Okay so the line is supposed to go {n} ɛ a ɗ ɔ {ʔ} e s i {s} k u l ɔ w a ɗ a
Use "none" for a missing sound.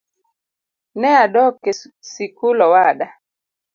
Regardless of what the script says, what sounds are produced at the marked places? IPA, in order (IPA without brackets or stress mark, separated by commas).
n, k, none